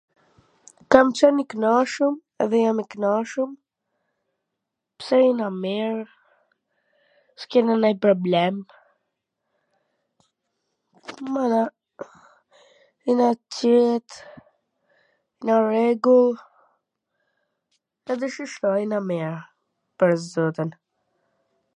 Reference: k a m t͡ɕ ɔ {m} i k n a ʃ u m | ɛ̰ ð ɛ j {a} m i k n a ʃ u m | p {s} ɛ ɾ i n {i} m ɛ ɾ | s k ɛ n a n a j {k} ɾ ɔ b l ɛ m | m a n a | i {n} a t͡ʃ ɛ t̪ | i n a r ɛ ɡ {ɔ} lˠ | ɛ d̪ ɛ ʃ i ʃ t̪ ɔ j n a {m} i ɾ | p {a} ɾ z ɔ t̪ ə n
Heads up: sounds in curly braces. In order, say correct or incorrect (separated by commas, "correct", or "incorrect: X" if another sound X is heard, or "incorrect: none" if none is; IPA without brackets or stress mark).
incorrect: n, correct, correct, incorrect: a, incorrect: p, correct, incorrect: u, correct, incorrect: ə